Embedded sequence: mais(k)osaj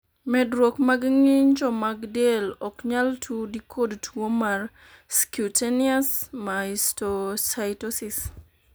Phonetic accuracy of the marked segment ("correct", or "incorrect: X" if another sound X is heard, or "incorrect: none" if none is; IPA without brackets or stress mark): incorrect: t